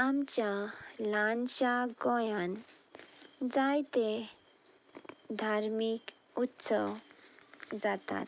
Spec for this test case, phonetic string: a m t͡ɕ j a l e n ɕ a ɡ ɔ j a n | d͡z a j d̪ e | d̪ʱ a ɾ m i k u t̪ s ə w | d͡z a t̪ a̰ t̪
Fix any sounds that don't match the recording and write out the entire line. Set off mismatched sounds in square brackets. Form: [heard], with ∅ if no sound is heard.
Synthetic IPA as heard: a m t͡ɕ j a l [a] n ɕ a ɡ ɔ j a n | d͡z a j [t̪] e | d̪ʱ a ɾ m i k u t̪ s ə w | d͡z a t̪ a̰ t̪